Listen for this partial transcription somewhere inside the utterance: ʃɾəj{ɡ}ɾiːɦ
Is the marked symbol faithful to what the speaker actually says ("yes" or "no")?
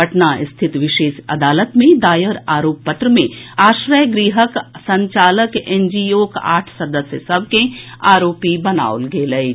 yes